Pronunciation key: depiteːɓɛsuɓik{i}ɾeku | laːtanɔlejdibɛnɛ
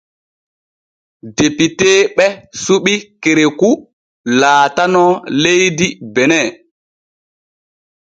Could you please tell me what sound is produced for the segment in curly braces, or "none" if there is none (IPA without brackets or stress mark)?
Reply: e